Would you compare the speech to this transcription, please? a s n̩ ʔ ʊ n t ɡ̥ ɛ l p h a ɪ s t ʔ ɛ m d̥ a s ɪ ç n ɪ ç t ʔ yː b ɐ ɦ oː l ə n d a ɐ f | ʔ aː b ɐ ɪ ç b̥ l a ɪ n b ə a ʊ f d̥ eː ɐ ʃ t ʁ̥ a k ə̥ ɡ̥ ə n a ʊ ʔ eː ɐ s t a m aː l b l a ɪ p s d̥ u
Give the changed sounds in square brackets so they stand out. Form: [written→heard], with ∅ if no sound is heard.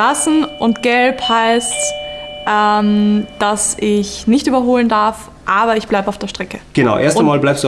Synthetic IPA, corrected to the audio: a s n̩ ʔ ʊ n t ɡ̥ ɛ l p h a ɪ s t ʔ ɛ m d̥ a s ɪ ç n ɪ ç t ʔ yː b ɐ ɦ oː l ə n d a ɐ f | ʔ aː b ɐ ɪ ç b̥ l a ɪ [n→∅] b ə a ʊ f d̥ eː ɐ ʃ t ʁ̥ [a→ɛ] k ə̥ ɡ̥ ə n a ʊ ʔ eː ɐ s t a m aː l b l a ɪ p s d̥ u